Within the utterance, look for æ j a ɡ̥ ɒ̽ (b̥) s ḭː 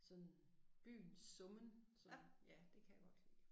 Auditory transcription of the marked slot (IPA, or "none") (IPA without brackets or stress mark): d̥